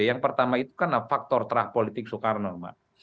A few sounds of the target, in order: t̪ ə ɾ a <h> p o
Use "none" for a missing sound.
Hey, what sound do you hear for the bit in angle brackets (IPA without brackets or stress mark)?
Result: h